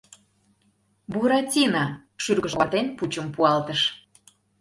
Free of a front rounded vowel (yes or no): no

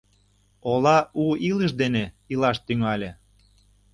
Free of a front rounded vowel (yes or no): no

